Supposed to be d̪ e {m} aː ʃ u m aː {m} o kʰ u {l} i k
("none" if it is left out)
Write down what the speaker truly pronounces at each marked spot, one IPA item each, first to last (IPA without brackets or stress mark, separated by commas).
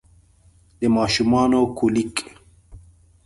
m, n, l